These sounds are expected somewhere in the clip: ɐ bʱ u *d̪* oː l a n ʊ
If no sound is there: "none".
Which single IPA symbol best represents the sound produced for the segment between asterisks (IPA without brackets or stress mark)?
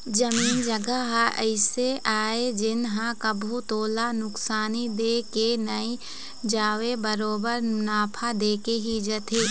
t̪